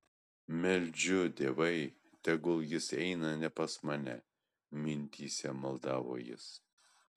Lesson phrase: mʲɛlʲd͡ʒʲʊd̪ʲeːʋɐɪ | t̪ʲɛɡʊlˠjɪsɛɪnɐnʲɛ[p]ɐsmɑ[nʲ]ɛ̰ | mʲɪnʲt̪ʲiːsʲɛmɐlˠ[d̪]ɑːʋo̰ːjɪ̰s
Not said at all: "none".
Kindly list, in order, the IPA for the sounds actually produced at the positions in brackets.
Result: p, nʲ, d̪

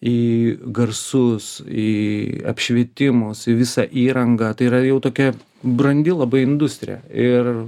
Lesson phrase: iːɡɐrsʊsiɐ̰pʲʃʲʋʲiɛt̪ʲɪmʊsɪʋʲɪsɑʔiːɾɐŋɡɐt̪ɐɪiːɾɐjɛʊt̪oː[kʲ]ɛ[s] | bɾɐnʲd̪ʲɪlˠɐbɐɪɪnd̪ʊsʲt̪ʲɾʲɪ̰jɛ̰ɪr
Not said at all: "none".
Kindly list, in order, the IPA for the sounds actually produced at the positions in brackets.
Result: kʲ, none

